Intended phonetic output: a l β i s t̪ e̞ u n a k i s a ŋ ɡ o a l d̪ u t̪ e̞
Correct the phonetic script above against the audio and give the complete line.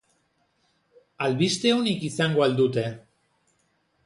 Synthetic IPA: a l β i s t̪ e̞ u n i k i s a ŋ ɡ o a l d̪ u t̪ e̞